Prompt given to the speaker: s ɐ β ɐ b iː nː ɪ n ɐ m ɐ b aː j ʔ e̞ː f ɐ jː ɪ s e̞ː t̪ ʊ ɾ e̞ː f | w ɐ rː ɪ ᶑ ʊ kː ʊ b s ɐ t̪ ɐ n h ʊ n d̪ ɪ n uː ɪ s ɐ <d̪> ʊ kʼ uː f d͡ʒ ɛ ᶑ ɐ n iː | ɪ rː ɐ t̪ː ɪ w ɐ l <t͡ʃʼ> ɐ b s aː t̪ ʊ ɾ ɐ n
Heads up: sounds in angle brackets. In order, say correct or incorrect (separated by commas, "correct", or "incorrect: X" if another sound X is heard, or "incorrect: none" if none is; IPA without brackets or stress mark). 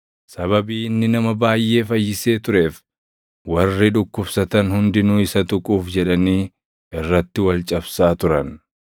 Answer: incorrect: t̪, correct